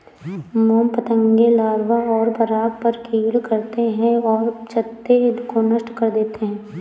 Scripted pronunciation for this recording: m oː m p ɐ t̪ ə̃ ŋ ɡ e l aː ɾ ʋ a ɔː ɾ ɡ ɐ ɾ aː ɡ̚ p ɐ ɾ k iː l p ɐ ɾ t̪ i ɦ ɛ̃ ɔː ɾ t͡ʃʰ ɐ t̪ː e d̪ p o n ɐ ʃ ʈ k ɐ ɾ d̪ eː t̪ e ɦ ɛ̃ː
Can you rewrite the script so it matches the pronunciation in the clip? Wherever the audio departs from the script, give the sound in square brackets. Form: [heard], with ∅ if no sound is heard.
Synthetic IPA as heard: m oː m p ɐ t̪ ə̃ ŋ ɡ e l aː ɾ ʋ a ɔː ɾ [b] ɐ ɾ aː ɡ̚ p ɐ ɾ k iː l [k] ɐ ɾ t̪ [e] ɦ ɛ̃ ɔː ɾ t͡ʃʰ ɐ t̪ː e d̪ [k] o n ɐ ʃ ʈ k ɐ ɾ d̪ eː t̪ e ɦ ɛ̃ː

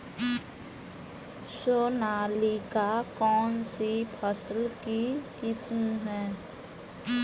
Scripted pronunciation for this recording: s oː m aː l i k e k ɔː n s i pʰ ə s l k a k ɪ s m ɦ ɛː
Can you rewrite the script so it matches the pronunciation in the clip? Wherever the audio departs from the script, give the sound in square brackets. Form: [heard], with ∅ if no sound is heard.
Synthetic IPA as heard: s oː [n] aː l i k [a] k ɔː n s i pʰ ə s l k [i] k ɪ s m ɦ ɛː

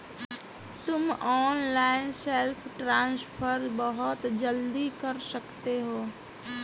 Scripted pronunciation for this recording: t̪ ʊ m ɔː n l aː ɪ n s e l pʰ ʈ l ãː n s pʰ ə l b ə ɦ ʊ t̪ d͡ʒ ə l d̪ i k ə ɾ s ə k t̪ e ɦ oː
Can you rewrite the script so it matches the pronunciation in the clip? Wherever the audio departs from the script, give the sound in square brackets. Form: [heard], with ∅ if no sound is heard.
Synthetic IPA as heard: t̪ ʊ m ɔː n l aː ɪ n s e l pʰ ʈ [ɾ] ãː n s pʰ ə [ɾ] b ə ɦ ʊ t̪ d͡ʒ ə l d̪ i k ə ɾ s ə k t̪ e ɦ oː

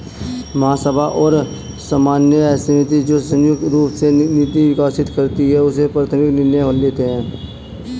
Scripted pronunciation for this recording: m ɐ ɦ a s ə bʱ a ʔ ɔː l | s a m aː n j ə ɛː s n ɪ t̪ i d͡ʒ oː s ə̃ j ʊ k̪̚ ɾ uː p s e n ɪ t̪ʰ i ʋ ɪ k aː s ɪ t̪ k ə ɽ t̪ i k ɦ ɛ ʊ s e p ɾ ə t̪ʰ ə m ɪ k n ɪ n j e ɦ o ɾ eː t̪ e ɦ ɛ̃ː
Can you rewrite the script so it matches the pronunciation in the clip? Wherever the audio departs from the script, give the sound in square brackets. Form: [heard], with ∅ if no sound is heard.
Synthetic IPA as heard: m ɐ ɦ a s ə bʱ a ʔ ɔː [ɾ] | s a m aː n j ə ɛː s n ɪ t̪ i d͡ʒ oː s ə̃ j ʊ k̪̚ ɾ uː p s e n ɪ [t̪] i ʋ ɪ k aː s ɪ t̪ k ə [ɾ] t̪ i [∅] ɦ ɛ ʊ s e p ɾ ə t̪ʰ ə m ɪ k n ɪ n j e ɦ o [l] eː t̪ e ɦ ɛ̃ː

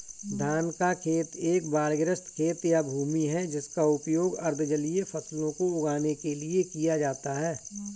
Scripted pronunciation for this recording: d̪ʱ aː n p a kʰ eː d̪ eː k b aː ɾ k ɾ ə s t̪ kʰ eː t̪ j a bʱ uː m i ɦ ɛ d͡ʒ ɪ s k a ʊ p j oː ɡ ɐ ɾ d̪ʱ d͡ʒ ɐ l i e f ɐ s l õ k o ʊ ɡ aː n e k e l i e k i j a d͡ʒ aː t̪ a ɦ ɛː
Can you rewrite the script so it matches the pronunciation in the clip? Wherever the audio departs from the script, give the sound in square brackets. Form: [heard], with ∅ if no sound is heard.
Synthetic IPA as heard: d̪ʱ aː n [k] a kʰ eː [t̪] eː k b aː ɾ [ɡ] ɾ ə s t̪ kʰ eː t̪ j a bʱ uː m i ɦ ɛ d͡ʒ ɪ s k a ʊ p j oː ɡ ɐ ɾ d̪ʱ d͡ʒ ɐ l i e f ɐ s l õ k o ʊ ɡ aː n e k e l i e k i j a d͡ʒ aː t̪ a ɦ ɛː

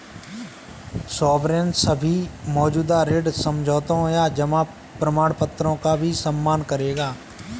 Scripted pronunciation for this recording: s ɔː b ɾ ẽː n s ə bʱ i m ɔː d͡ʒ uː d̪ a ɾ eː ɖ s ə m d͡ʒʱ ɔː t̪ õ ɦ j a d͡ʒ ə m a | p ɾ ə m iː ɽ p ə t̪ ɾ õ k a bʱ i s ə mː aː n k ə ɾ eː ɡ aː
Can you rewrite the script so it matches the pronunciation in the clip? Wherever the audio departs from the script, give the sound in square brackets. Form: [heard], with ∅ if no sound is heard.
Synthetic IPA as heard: s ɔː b ɾ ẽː n s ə bʱ i m ɔː d͡ʒ uː d̪ a ɾ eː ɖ s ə m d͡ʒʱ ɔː t̪ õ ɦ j a d͡ʒ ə m a | p ɾ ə m [aː] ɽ p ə t̪ ɾ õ k a bʱ i s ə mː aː n k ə ɾ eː ɡ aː

